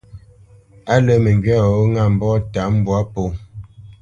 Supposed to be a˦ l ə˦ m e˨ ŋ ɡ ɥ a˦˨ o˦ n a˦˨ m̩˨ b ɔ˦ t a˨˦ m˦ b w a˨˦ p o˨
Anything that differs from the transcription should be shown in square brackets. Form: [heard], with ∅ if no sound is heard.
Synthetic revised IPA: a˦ l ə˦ m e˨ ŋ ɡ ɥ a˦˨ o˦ [ŋ] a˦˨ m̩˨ b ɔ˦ t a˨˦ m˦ b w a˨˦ p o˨